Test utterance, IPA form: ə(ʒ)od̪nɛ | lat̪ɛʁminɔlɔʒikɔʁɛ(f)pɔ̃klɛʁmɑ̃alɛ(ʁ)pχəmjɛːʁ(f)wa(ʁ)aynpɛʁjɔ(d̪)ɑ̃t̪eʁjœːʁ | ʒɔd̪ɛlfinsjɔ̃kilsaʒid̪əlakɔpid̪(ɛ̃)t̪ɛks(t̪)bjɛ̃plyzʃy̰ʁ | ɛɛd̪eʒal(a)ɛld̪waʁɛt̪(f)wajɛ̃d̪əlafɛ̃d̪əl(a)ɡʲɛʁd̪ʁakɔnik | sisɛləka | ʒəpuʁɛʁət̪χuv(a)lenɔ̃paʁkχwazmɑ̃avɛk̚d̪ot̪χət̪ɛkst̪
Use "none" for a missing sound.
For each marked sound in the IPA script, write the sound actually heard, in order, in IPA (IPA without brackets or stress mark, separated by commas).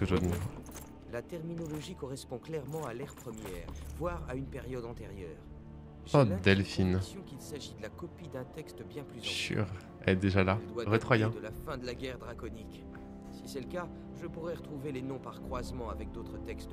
ʒ, s, ʁ, v, ʁ, d̪, ɛ̃, t̪, a, χ, a, e